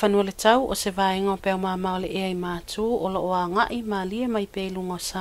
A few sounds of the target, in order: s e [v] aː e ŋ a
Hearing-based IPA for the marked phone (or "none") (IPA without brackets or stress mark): v